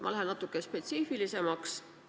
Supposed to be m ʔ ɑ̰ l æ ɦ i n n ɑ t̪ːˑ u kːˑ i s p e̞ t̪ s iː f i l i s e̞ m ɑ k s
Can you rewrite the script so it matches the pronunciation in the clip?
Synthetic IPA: m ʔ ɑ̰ l æ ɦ e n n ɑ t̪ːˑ u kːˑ e s p e̞ t̪ s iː f i l i s e̞ m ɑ k s